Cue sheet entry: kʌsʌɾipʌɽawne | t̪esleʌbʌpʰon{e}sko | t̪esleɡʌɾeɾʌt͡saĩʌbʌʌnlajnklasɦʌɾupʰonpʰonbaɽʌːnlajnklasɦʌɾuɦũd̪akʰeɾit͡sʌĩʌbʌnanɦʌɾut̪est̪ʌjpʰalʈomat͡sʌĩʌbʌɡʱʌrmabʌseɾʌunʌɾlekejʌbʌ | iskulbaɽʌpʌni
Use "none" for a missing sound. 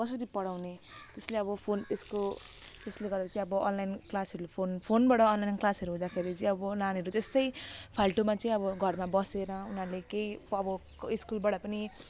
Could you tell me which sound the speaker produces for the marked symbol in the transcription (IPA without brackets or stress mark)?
e